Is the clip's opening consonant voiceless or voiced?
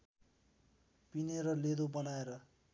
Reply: voiceless